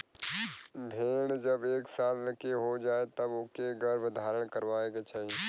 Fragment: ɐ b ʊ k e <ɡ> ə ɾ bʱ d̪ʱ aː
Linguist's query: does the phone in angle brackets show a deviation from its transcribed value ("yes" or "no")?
no